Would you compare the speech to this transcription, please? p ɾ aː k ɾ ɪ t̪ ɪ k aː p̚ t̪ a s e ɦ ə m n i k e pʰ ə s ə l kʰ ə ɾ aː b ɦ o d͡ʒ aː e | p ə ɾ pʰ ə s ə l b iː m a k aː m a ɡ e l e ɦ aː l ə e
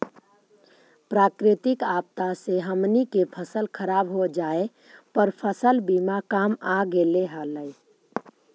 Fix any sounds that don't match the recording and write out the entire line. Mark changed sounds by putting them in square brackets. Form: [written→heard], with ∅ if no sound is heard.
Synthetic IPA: p ɾ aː k ɾ ɪ t̪ ɪ k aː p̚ t̪ a s e ɦ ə m n i k e pʰ ə s ə l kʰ ə ɾ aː b ɦ o d͡ʒ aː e | p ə ɾ pʰ ə s ə l b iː m a k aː m a ɡ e l e ɦ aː l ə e